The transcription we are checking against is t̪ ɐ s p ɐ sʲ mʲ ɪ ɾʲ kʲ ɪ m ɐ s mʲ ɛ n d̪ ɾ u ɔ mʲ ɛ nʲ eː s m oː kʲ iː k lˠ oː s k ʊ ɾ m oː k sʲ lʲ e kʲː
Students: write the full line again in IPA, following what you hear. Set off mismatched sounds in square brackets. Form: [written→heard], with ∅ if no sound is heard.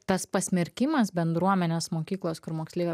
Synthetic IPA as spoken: t̪ ɐ s p ɐ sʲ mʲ ɪ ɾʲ kʲ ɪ m ɐ s [mʲ→bʲ] ɛ n d̪ ɾ u ɔ mʲ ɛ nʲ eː s m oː kʲ iː k lˠ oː s k ʊ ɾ m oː k sʲ lʲ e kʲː

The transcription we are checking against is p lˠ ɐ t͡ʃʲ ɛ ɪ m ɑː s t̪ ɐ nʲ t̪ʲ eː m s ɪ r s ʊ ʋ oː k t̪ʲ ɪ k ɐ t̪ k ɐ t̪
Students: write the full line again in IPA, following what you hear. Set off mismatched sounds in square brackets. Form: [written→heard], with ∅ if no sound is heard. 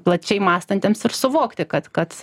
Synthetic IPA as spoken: p lˠ ɐ t͡ʃʲ ɛ ɪ m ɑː s t̪ ɐ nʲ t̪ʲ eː m s ɪ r s ʊ ʋ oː k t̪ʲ ɪ k ɐ t̪ k ɐ t̪

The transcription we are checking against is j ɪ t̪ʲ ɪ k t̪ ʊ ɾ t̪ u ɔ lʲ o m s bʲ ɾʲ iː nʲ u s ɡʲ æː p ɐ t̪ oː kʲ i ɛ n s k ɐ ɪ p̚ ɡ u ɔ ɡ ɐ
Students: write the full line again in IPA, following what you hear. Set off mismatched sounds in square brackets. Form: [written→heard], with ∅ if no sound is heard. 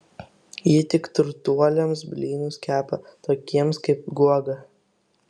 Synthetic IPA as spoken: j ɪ t̪ʲ ɪ k t̪ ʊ ɾ t̪ u ɔ lʲ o m s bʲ [ɾʲ→lʲ] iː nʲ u s [ɡʲ→kʲ] æː p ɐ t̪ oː kʲ i ɛ [n→m] s k ɐ ɪ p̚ ɡ u ɔ ɡ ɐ

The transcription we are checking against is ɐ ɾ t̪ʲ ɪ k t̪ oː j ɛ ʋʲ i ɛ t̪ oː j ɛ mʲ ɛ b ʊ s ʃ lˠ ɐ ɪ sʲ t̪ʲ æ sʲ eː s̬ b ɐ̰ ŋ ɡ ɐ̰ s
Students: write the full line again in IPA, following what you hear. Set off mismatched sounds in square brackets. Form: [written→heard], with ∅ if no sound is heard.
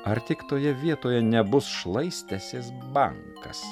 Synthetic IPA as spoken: ɐ ɾ t̪ʲ ɪ k t̪ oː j ɛ ʋʲ i ɛ t̪ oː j ɛ [mʲ→nʲ] ɛ b ʊ s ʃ lˠ ɐ ɪ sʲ t̪ʲ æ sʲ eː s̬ b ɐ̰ ŋ [ɡ→k] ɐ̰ s

